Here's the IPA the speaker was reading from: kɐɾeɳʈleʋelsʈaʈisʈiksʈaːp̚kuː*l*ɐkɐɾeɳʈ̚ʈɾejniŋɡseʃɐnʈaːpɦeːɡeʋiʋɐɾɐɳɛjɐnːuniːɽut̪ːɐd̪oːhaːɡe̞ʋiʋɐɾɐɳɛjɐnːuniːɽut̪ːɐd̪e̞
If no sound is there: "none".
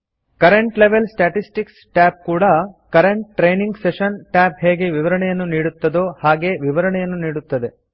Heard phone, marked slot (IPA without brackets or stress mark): ɽ